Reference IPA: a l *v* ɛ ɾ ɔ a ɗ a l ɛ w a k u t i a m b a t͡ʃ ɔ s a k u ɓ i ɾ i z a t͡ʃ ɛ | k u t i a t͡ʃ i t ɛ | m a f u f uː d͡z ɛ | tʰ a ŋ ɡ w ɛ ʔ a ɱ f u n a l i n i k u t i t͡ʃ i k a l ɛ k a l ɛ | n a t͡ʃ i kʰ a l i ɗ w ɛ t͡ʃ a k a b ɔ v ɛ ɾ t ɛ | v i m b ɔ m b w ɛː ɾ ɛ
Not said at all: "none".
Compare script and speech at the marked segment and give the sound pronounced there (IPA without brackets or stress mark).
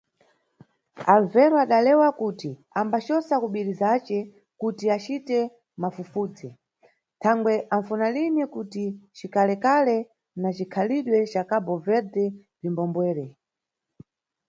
v